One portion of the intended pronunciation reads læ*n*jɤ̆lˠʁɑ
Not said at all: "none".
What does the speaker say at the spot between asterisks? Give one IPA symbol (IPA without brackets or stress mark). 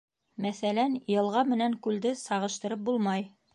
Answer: n